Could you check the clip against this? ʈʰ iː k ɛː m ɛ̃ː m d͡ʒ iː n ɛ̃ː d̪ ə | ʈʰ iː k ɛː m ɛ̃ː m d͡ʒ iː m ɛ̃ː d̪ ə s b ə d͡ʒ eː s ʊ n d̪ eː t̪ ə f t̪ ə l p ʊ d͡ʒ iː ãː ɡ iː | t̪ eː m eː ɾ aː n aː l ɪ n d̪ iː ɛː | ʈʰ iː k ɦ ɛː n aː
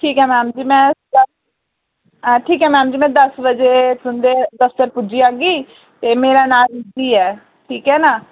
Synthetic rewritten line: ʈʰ iː k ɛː m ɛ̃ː m d͡ʒ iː m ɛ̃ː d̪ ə | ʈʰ iː k ɛː m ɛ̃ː m d͡ʒ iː m ɛ̃ː d̪ ə s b ə d͡ʒ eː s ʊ n d̪ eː d̪ ə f t̪ ə ɾ p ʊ d͡ʒ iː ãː ɡ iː | t̪ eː m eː ɾ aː n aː l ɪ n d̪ iː ɛː | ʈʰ iː k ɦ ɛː n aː

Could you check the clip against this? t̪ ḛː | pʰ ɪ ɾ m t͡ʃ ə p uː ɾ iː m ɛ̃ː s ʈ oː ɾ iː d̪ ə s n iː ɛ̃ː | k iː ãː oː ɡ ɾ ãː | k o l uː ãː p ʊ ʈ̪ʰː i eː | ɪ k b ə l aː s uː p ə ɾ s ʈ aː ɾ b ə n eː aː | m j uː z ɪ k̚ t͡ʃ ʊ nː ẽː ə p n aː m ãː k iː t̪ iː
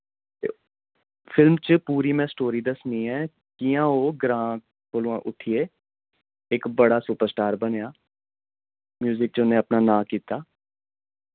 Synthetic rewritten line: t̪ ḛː | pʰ ɪ l m t͡ʃ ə p uː ɾ iː m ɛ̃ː s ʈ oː ɾ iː d̪ ə s n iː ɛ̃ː | k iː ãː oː ɡ ɾ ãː | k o l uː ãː ʔ ʊ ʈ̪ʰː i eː | ɪ k b ə ɽ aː s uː p ə ɾ s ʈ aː ɾ b ə n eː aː | m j uː z ɪ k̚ t͡ʃ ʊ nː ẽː ə p n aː n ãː k iː t̪ aː

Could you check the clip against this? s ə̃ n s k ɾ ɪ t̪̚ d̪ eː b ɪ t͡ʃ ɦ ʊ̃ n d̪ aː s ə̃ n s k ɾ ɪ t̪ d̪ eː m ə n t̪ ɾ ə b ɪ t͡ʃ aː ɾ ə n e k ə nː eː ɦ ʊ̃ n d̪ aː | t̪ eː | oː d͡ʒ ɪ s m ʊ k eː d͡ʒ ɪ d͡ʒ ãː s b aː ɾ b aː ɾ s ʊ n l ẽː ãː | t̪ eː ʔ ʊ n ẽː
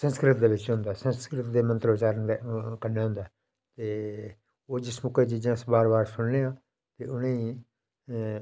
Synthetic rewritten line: s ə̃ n s k ɾ ɪ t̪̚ d̪ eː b ɪ t͡ʃ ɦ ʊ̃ n d̪ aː s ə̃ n s k ɾ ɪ t̪ d̪ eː m ə n t̪ ɾ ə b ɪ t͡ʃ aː ɾ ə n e k ə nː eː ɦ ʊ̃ n d̪ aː | t̪ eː | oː d͡ʒ ɪ s m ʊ k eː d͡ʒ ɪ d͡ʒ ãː s b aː ɾ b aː ɾ s ʊ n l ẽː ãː | t̪ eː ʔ ʊ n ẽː

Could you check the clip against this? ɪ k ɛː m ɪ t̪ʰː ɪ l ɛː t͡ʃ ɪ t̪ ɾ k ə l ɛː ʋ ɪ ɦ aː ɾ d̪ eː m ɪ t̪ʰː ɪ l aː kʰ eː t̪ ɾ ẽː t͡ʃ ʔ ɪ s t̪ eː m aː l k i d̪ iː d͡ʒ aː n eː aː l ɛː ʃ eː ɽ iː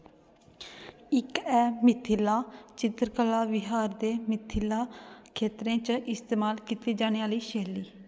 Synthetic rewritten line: ɪ k ɛː m ɪ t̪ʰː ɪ l aː t͡ʃ ɪ t̪ ɾ k ə l aː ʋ ɪ ɦ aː ɾ d̪ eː m ɪ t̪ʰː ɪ l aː kʰ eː t̪ ɾ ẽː t͡ʃ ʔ ɪ s t̪ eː m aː l k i t̪ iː d͡ʒ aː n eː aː l iː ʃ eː l iː

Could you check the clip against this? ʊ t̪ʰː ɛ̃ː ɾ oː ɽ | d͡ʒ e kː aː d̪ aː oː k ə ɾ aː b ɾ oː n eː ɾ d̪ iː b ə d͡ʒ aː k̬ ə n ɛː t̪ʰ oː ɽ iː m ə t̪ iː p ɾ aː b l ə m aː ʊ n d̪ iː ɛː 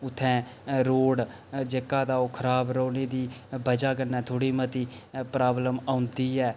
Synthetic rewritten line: ʊ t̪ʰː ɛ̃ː ɾ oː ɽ | d͡ʒ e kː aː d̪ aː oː kʰ ə ɾ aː b ɾ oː n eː d̪ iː b ə d͡ʒ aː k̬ ə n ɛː t̪ʰ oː ɽ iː m ə t̪ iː p ɾ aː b l ə m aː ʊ n d̪ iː ɛː

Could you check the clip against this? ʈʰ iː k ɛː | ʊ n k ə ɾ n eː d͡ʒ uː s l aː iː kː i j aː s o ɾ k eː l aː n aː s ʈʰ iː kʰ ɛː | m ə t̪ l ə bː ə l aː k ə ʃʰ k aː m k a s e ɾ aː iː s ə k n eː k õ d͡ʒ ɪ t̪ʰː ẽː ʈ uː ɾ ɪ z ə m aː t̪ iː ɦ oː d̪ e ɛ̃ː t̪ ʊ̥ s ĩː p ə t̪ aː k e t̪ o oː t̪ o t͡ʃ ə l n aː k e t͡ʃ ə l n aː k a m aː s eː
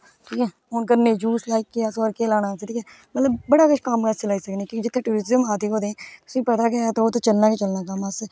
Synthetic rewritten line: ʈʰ iː k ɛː | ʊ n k ə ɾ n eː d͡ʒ uː s l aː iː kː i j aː s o ɾ k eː l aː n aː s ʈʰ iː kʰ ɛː | m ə t̪ l ə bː ə ɽ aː k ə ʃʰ k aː m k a s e l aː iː s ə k n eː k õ d͡ʒ ɪ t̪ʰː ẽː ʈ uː ɾ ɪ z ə m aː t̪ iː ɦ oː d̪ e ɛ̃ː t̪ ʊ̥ s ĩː p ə t̪ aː k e t̪ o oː t̪ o t͡ʃ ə l n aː k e t͡ʃ ə l n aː k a m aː s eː

